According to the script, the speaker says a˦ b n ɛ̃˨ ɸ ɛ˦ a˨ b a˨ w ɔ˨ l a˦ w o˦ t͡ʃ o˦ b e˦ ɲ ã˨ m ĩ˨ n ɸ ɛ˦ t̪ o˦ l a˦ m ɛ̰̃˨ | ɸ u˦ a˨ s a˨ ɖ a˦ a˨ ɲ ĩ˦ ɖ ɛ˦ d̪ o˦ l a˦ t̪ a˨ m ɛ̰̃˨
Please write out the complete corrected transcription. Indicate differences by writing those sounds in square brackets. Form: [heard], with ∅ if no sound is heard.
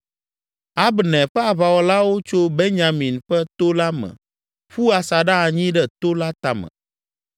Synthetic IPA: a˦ b n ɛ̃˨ ɸ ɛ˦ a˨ [β] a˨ w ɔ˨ l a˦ w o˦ t͡ʃ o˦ b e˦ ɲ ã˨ m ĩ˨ n ɸ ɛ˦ t̪ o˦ l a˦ m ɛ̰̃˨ | ɸ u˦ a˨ s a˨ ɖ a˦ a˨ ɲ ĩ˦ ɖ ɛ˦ [t̪] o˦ l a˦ t̪ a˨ m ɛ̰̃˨